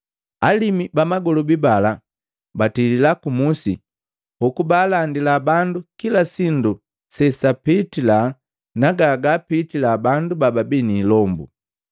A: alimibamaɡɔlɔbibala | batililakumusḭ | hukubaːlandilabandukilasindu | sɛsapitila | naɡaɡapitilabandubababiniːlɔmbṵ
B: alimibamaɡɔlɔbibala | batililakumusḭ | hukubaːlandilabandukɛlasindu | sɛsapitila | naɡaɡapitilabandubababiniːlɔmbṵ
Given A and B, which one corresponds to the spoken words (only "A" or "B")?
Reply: A